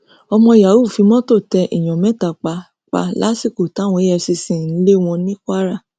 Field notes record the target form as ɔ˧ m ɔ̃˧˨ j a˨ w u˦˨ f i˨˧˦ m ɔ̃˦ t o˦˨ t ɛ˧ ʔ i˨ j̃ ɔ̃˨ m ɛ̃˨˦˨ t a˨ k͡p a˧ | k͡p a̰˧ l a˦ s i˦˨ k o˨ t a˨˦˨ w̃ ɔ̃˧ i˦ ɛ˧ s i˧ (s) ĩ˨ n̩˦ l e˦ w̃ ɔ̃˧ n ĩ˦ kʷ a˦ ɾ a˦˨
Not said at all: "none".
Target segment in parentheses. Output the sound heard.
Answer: s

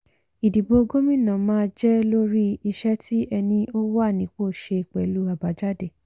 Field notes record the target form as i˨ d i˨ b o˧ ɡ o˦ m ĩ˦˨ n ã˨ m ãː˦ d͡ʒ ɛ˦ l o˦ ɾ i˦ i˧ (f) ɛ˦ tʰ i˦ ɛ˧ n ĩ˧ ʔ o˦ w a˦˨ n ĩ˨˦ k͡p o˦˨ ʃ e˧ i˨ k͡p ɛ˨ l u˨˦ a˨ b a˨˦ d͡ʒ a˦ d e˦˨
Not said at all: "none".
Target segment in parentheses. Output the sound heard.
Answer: ʃ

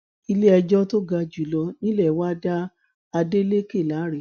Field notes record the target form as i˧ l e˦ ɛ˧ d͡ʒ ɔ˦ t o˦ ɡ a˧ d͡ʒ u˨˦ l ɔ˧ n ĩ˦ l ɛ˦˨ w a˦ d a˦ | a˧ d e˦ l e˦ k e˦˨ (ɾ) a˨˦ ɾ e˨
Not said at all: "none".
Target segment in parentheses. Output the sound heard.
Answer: l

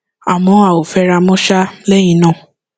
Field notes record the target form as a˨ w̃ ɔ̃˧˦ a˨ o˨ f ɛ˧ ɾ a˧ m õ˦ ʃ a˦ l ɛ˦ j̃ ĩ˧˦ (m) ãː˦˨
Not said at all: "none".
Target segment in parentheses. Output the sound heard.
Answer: n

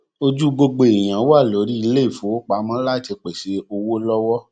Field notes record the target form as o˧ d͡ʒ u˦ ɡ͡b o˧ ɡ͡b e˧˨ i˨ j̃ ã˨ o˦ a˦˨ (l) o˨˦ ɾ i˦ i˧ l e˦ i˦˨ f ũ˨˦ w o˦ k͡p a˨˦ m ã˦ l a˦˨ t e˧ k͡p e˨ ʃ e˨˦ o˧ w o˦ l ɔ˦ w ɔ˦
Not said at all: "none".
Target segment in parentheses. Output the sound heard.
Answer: l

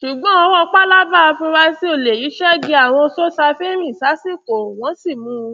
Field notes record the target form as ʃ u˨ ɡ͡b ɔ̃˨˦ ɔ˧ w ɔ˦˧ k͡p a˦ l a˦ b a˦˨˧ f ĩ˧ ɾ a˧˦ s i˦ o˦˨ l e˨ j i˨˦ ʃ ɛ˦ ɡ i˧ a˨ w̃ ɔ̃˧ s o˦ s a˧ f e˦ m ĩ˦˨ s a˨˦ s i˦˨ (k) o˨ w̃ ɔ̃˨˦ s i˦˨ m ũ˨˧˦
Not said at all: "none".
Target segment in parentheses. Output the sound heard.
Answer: k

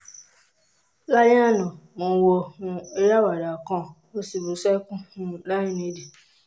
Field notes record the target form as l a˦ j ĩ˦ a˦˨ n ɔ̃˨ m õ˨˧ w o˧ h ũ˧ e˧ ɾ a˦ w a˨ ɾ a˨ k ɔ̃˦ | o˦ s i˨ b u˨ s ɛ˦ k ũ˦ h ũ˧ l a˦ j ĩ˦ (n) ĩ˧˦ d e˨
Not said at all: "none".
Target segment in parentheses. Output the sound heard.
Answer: n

